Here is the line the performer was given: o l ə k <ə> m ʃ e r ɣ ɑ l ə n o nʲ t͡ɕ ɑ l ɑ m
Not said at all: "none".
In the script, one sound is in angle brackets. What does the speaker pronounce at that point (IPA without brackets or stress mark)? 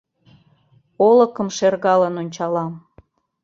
ə